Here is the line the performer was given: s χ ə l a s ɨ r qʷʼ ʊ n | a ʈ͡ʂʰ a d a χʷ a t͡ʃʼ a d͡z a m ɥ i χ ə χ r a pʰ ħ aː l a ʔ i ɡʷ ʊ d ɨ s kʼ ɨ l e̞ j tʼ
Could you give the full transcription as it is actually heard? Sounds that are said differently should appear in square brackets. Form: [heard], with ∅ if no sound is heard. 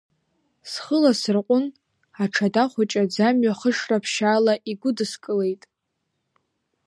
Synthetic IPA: s χ ə l a s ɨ r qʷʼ ʊ n | a ʈ͡ʂʰ a d a χʷ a t͡ʃʼ a d͡z a m ɥ [a] χ ə [ʂ] r a pʰ [ʃ] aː l a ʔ i ɡʷ ʊ d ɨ s kʼ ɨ l e̞ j tʼ